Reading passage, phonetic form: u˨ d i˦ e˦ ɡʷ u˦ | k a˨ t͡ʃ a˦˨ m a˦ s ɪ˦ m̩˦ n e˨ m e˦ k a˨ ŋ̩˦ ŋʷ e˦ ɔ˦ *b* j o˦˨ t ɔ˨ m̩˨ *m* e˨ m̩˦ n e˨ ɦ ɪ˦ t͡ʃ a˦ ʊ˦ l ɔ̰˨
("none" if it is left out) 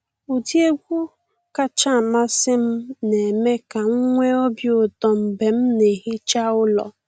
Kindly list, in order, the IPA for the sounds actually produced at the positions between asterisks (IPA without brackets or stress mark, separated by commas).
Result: b, b